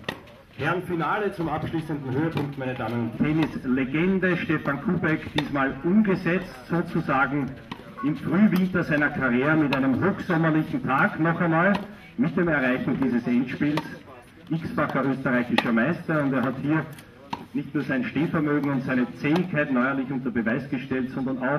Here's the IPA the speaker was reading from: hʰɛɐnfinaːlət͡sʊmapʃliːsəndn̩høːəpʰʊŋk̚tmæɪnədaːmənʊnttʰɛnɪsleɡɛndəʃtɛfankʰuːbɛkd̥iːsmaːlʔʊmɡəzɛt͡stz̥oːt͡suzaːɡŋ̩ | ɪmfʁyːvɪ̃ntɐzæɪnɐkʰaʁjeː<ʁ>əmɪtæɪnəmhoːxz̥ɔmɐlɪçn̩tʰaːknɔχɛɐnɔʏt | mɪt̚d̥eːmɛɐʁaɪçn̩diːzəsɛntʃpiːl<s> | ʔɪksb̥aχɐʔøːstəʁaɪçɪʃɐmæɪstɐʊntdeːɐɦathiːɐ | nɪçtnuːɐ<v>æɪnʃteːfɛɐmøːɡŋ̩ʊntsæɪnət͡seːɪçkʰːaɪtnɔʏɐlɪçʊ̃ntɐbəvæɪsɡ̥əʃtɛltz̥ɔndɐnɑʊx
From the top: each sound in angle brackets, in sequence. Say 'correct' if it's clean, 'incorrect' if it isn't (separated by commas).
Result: correct, correct, incorrect